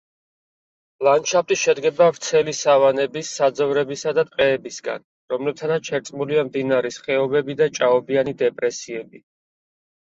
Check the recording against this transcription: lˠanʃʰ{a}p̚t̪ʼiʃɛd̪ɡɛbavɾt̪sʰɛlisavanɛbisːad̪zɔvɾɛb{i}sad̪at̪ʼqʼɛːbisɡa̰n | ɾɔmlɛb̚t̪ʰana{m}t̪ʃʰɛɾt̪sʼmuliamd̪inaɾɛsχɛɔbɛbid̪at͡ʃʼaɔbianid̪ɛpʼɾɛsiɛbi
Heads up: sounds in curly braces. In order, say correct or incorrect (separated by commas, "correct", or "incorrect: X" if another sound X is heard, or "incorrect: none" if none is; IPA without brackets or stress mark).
correct, correct, incorrect: none